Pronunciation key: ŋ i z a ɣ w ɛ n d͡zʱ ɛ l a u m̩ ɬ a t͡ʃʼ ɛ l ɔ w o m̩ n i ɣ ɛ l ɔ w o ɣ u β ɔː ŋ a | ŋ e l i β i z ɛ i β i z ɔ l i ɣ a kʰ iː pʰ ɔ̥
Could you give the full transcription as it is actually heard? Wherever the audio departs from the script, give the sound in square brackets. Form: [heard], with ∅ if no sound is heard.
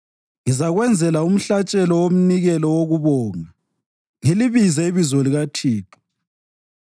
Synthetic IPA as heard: ŋ i z a ɣ w ɛ n d͡zʱ ɛ l a u m̩ ɬ a t͡ʃʼ ɛ l ɔ w o m̩ n i ɣ ɛ l ɔ w o ɣ u β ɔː ŋ a | ŋ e l i β i z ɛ i β i z ɔ l i ɣ a [tʰ] iː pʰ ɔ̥